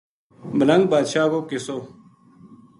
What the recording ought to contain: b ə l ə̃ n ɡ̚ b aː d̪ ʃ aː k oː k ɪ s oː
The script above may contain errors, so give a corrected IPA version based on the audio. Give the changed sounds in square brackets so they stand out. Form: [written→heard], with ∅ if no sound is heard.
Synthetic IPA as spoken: b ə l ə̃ [n→ŋ] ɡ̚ b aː d̪ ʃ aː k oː k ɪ s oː